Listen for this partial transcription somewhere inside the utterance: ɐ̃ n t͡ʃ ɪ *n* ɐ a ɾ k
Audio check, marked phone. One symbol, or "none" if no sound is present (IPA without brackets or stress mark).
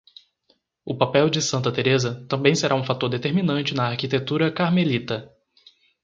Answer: n